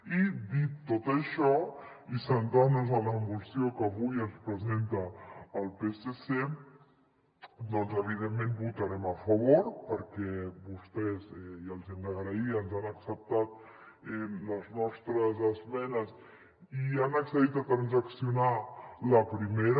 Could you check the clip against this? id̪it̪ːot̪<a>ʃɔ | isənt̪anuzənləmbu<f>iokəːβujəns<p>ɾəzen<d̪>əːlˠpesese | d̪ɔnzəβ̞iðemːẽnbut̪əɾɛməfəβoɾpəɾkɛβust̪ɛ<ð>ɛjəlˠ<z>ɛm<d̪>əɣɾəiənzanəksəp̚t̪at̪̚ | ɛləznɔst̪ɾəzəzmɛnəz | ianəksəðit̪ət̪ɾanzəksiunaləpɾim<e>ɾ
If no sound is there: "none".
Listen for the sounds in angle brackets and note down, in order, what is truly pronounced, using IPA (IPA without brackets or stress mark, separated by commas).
ə, s, p, t̪, z, z, d̪, e